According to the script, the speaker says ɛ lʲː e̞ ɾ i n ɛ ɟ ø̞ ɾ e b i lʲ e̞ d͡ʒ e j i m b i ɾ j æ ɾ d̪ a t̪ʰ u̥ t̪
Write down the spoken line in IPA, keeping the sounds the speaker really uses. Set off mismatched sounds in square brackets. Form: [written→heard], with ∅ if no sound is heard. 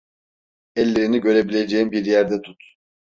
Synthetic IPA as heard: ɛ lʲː e̞ ɾ i n [ɛ→i] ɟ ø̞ ɾ e b i lʲ e̞ d͡ʒ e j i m b i ɾ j æ ɾ d̪ [a→ɛ] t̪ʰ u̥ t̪